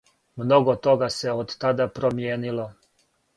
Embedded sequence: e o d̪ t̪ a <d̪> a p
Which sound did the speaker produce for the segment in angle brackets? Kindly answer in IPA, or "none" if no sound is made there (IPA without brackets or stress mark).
d̪